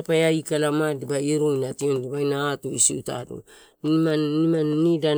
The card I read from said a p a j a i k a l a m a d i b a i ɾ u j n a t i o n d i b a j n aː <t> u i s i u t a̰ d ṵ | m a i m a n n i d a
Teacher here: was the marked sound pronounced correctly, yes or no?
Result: yes